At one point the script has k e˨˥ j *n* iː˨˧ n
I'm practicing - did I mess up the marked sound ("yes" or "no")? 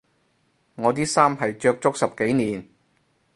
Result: no